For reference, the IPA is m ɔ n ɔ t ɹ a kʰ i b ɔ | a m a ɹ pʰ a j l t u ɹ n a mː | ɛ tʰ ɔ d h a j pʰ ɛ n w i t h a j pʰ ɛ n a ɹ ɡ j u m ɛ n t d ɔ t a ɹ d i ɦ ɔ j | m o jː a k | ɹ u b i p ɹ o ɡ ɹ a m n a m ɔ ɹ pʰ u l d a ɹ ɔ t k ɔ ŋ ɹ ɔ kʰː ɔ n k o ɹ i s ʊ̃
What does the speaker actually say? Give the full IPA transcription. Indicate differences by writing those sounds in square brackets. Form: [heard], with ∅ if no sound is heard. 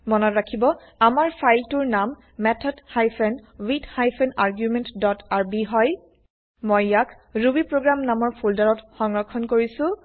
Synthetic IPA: m ɔ n ɔ t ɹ a kʰ i b ɔ | a m a ɹ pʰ a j l t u ɹ n a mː | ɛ tʰ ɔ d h a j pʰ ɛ n w i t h a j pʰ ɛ n a ɹ ɡ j u m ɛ n t d ɔ t a ɹ [b] i ɦ ɔ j | m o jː a k | ɹ u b i p ɹ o ɡ ɹ a m n a m ɔ ɹ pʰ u l d a ɹ ɔ t [x] ɔ ŋ ɹ ɔ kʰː ɔ n k o ɹ i s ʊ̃

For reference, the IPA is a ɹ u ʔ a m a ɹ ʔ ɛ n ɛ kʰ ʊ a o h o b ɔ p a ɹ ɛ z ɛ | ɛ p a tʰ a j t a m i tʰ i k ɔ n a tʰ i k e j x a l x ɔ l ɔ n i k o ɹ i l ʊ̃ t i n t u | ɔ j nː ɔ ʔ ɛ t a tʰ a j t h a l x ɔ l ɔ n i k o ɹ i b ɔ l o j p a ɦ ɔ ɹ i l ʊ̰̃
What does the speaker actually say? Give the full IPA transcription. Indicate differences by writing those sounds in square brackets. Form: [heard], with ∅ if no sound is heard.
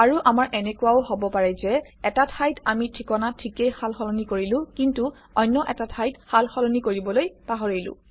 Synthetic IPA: a ɹ u ʔ a m a ɹ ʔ ɛ n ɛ [k] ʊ a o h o b ɔ p a ɹ ɛ z ɛ | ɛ [t] a tʰ a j t a m i tʰ i k ɔ n a tʰ i k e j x a l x ɔ l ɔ n i k o ɹ i l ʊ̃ [k] i n t u | ɔ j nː ɔ ʔ ɛ t a tʰ a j t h a l x ɔ l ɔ n i k o ɹ i b ɔ l o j p a ɦ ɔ ɹ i l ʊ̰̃

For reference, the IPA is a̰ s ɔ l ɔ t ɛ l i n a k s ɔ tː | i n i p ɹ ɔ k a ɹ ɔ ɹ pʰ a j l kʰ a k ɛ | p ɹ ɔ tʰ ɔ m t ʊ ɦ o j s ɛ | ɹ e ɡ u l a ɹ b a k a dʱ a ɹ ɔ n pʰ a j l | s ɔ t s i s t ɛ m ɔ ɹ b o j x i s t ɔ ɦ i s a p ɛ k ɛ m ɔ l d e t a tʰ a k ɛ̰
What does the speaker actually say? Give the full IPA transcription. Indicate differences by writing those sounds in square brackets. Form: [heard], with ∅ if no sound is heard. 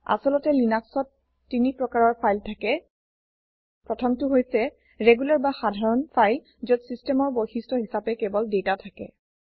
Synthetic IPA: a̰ s ɔ l ɔ t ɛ l i n a k s ɔ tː | i n i p ɹ ɔ k a ɹ ɔ ɹ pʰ a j l [tʰ] a k ɛ | p ɹ ɔ tʰ ɔ m t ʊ ɦ o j s ɛ | ɹ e ɡ u l a ɹ b a [x] a dʱ a ɹ ɔ n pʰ a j l | [z] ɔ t s i s t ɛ m ɔ ɹ b o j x i s t ɔ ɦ i s a p ɛ k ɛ [b] ɔ l d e t a tʰ a k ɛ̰

